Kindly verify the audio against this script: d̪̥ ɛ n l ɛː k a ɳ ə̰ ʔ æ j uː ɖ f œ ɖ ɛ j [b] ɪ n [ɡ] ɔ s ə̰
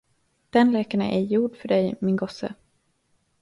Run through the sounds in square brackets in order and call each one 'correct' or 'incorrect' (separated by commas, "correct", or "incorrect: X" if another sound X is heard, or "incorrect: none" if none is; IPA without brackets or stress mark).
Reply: incorrect: m, correct